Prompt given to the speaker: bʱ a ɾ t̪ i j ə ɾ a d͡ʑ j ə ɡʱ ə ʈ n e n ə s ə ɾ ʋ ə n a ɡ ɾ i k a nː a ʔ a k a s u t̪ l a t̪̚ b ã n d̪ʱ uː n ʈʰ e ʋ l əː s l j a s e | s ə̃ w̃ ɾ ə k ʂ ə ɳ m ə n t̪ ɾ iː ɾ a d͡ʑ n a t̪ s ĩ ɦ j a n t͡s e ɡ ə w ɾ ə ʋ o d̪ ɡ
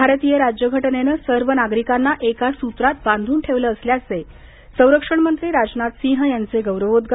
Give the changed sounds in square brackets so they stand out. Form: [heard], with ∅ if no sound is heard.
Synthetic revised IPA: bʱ a ɾ t̪ i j ə ɾ a d͡ʑ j ə ɡʱ ə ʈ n e n ə s ə ɾ ʋ ə n a ɡ ɾ i k a nː a ʔ [e] k a s u t̪ [ɾ] a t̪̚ b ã n d̪ʱ uː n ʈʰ e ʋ l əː s l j a s e | s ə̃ w̃ ɾ ə k ʂ ə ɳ m ə n t̪ ɾ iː ɾ a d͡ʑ n a t̪ s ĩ ɦ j a n t͡s e ɡ ə w ɾ ə ʋ o d̪ ɡ